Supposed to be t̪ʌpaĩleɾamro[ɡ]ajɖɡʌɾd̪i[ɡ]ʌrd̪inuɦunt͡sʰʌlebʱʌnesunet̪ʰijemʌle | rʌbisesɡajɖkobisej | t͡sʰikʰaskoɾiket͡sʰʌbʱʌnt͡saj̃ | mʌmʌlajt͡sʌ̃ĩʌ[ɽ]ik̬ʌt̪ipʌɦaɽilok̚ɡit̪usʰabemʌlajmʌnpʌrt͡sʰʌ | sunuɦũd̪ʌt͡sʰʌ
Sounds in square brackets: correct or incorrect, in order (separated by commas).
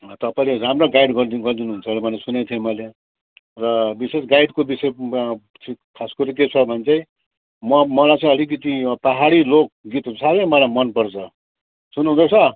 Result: correct, correct, incorrect